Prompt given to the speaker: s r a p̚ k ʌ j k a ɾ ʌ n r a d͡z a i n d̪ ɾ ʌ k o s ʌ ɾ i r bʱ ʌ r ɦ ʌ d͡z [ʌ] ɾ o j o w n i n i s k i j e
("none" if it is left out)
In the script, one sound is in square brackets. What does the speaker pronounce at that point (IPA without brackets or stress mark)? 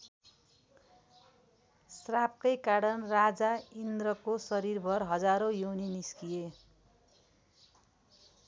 a